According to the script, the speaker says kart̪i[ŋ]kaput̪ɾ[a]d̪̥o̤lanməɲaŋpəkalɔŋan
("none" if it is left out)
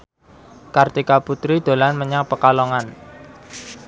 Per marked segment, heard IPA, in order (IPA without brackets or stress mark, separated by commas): none, i